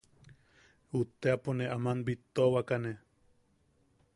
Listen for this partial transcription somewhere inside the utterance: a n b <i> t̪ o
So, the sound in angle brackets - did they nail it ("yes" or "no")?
yes